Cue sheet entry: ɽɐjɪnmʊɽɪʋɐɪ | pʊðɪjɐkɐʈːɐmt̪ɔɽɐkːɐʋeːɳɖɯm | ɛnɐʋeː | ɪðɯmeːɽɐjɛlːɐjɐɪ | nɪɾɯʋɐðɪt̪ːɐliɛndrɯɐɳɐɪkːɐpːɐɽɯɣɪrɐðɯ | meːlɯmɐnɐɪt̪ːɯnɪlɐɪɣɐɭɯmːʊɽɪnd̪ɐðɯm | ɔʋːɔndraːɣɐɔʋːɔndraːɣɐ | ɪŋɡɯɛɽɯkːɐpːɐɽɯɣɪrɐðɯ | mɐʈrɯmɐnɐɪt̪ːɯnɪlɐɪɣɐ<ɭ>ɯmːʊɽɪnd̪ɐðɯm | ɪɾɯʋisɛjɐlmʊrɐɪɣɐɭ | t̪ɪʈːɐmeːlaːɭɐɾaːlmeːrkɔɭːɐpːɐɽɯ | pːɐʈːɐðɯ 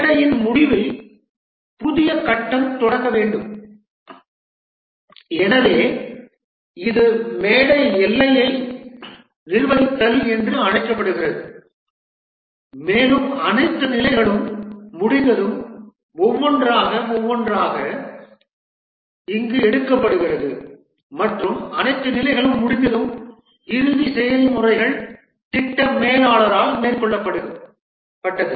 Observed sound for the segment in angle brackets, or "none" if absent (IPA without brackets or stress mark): ɭ